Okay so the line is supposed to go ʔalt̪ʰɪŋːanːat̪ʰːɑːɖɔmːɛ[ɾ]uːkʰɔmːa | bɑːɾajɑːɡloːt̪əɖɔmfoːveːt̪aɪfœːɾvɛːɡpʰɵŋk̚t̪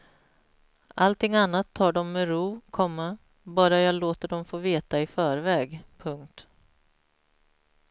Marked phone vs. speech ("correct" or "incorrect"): correct